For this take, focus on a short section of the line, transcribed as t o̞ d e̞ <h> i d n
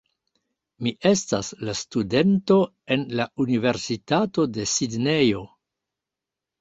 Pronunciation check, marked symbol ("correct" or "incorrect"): incorrect